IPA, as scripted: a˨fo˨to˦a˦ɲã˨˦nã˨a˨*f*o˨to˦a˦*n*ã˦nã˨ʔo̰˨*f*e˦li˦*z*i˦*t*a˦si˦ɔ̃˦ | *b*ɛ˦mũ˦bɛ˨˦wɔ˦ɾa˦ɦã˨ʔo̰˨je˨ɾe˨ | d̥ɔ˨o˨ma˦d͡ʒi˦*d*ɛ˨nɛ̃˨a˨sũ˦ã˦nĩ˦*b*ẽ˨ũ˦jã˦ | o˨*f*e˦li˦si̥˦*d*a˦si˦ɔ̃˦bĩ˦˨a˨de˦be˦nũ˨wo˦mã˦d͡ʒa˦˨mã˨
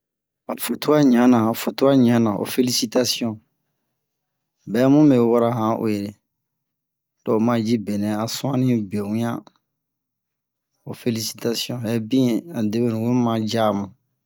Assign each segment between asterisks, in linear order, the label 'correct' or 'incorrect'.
correct, incorrect: ɲ, correct, incorrect: s, correct, correct, incorrect: b, correct, correct, incorrect: t

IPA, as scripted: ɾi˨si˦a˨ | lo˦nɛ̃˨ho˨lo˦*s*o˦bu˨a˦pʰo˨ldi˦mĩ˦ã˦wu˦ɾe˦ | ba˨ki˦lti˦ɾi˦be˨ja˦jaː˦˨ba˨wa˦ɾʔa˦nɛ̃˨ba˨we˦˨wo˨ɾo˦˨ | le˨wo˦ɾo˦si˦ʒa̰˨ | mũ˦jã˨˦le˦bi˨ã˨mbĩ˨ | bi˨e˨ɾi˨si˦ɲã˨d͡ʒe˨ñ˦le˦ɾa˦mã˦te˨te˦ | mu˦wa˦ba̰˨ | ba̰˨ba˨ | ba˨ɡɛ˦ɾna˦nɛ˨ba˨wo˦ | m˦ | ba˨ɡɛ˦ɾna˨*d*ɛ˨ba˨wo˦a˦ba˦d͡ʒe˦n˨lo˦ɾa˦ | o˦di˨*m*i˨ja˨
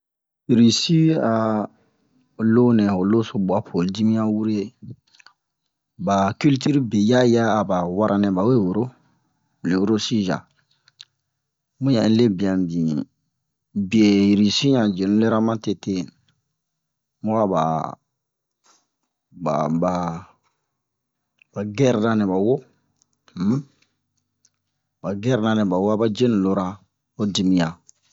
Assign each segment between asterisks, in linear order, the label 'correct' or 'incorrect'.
correct, incorrect: n, correct

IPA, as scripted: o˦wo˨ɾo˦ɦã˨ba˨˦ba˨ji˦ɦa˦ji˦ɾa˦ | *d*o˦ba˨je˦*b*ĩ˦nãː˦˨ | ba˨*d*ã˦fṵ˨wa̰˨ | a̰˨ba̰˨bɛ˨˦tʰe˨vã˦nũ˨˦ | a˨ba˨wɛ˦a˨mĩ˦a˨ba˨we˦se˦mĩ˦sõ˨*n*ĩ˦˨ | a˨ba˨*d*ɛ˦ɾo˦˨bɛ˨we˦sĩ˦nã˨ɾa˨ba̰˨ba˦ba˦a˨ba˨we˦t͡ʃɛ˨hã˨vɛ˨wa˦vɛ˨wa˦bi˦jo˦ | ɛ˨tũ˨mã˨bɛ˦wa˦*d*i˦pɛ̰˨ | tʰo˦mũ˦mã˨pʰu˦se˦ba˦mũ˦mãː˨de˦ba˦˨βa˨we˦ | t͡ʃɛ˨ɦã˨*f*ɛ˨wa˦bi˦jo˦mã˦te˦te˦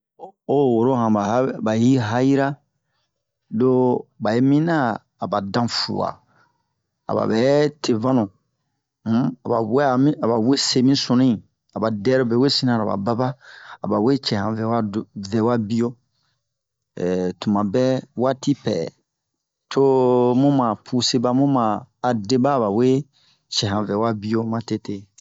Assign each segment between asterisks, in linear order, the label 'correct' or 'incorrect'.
correct, incorrect: m, correct, correct, correct, incorrect: t, incorrect: v

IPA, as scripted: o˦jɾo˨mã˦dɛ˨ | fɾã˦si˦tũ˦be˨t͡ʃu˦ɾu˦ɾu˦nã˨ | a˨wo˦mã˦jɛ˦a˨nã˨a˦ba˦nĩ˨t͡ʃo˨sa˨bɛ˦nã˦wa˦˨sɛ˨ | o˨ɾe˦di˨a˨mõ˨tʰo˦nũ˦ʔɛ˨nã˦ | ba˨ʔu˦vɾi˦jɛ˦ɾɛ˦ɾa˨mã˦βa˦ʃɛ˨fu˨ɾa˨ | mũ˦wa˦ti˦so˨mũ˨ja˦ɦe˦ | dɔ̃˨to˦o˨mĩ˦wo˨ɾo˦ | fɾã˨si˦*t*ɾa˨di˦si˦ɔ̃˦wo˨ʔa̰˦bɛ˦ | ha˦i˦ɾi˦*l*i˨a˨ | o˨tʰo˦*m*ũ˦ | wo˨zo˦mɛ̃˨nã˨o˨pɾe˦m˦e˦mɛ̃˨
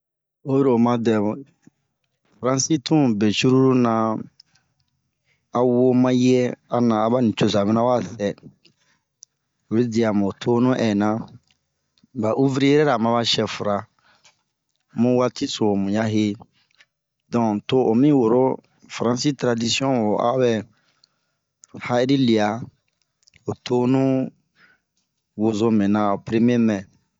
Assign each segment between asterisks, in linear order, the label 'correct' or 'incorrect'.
correct, correct, incorrect: n

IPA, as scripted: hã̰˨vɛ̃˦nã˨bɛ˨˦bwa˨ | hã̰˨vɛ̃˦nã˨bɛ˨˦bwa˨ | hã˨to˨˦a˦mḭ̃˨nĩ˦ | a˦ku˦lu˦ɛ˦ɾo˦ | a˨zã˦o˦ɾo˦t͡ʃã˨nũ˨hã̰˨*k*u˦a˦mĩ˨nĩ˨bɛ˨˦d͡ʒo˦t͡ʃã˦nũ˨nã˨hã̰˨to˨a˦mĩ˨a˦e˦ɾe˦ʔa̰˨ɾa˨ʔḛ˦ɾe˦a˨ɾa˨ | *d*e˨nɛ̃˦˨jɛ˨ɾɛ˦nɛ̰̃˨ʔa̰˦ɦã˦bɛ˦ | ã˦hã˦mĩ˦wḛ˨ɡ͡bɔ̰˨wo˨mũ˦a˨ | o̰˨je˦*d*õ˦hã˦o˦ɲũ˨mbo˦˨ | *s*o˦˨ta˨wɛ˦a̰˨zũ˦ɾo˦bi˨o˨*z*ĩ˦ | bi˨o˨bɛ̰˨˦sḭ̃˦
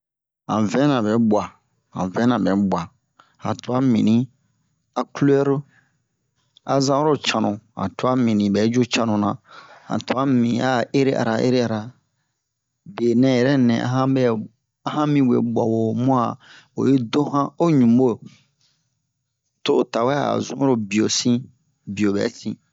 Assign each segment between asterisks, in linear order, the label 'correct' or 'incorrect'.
incorrect: t, incorrect: b, correct, incorrect: t, incorrect: s

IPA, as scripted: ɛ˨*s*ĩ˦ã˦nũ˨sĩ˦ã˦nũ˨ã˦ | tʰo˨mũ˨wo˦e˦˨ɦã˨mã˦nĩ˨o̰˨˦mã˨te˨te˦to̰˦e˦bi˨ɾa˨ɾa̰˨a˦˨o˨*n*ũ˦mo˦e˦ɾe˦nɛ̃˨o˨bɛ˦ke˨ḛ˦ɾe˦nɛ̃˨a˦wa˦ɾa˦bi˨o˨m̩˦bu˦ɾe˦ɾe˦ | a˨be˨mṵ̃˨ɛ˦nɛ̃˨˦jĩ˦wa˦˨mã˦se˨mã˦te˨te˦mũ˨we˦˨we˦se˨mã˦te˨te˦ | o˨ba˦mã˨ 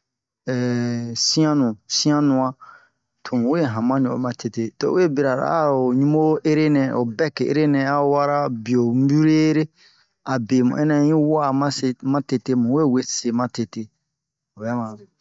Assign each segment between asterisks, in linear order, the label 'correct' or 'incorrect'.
correct, incorrect: ɲ

